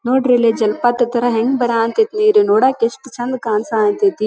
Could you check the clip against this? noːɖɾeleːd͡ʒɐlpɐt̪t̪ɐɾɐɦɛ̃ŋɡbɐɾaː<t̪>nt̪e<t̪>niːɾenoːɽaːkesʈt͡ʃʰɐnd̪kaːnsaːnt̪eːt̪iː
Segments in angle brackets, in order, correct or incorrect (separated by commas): incorrect, correct